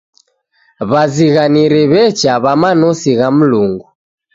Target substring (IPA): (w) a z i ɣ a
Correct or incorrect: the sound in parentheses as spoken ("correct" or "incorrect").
incorrect